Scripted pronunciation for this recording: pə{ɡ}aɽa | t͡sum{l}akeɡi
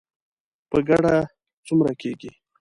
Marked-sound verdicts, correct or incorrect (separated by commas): correct, incorrect